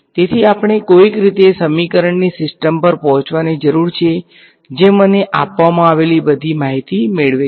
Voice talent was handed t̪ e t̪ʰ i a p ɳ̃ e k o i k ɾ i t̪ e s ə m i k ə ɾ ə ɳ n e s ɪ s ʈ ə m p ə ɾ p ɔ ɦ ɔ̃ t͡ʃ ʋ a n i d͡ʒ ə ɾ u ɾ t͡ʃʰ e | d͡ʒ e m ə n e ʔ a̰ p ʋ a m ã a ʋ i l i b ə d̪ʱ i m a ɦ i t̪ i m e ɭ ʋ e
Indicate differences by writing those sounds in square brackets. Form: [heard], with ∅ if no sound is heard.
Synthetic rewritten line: t̪ e t̪ʰ i a p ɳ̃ e k o i k ɾ i t̪ e s ə m i k ə ɾ ə ɳ n [i] s ɪ s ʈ ə m p ə ɾ p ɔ ɦ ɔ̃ t͡ʃ ʋ a n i d͡ʒ ə ɾ u ɾ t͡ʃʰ e | d͡ʒ e m ə n e ʔ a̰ p ʋ a m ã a ʋ [e] l i b ə d̪ʱ i m a ɦ i t̪ i m e ɭ ʋ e